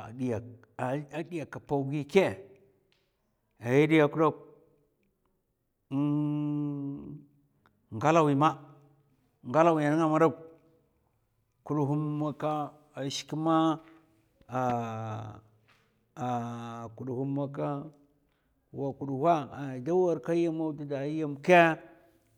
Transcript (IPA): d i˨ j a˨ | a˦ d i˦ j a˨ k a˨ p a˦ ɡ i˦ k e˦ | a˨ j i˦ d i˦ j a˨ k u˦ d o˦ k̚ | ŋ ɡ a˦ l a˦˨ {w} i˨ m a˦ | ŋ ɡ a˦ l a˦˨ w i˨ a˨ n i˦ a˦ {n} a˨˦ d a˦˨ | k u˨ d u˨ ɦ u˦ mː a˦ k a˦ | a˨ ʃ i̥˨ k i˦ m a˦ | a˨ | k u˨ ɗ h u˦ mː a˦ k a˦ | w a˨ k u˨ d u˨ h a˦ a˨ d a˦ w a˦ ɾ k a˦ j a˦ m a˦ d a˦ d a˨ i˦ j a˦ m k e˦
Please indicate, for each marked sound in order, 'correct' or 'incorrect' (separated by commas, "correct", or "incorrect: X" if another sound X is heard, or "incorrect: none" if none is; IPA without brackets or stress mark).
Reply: correct, incorrect: m